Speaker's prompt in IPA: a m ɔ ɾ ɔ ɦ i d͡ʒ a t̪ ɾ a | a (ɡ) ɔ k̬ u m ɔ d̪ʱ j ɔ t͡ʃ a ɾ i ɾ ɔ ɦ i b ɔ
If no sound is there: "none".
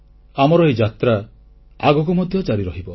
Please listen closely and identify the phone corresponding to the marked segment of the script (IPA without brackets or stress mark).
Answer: ɡ